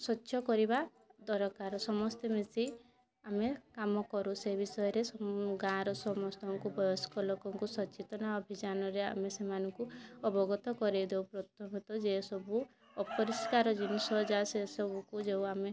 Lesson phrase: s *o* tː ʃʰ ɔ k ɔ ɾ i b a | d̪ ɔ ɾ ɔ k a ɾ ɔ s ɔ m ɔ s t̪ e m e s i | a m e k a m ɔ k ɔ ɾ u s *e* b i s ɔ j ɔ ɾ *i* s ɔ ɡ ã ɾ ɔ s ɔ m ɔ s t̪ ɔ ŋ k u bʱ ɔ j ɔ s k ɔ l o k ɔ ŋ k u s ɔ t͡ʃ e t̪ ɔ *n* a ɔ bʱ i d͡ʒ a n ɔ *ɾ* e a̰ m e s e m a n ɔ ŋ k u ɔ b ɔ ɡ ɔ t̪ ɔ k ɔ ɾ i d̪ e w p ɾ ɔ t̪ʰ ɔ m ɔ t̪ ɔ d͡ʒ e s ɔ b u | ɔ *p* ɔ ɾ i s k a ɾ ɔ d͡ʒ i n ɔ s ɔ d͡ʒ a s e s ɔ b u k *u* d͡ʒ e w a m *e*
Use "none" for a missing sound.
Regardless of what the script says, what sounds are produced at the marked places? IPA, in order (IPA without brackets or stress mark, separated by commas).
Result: ɔ, e, e, n, ɾ, p, u, e